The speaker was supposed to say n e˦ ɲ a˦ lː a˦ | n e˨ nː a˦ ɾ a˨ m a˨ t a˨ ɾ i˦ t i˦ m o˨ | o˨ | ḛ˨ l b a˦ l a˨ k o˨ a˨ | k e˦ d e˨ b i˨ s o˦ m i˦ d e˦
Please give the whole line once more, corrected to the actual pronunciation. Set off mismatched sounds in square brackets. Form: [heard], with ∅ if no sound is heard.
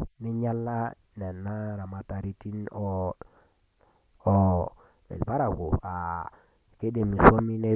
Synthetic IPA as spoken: n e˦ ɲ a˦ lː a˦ | n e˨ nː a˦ ɾ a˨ m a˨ t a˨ ɾ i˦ t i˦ [n] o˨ | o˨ | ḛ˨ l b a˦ [ɾ] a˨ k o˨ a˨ | k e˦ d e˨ [m] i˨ s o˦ m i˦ [n] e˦